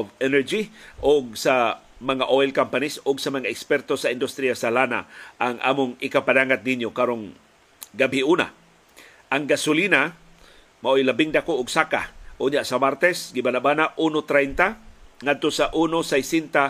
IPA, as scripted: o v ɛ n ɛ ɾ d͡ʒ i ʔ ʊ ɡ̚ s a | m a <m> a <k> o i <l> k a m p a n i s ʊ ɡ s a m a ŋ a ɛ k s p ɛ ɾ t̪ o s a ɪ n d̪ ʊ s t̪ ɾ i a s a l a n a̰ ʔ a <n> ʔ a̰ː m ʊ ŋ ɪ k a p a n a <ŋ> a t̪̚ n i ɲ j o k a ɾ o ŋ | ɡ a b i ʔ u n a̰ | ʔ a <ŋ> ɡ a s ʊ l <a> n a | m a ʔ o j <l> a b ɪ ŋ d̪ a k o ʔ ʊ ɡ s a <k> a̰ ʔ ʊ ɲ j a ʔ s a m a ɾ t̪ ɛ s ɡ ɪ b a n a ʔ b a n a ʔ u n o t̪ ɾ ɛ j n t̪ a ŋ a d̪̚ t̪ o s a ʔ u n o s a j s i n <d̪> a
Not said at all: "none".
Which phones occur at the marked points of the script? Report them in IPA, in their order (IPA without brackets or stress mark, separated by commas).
ŋ, ʔ, l, ŋ, ŋ, ŋ, i, l, k, t̪